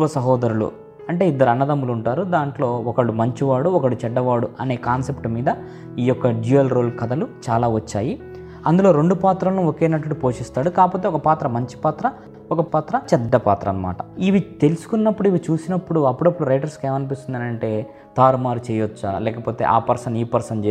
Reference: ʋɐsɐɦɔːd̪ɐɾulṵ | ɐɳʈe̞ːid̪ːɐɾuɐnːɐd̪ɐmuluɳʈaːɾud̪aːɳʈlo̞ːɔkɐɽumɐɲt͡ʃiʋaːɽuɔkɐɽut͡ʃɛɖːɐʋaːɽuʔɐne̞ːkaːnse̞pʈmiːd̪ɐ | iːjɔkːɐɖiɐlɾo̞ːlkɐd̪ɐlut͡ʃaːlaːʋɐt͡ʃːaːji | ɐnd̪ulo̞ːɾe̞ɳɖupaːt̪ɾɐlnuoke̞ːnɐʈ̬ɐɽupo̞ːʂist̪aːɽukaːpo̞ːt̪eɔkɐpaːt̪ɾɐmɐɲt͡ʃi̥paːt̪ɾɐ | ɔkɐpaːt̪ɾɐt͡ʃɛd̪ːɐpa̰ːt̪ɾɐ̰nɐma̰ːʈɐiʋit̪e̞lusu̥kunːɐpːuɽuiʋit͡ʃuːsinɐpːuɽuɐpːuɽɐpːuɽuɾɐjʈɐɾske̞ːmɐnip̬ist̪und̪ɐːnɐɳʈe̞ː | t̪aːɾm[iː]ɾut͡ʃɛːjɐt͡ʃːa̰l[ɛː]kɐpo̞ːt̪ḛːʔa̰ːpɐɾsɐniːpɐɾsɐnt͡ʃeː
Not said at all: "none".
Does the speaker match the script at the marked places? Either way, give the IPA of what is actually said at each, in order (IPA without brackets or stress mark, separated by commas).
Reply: aː, ɛː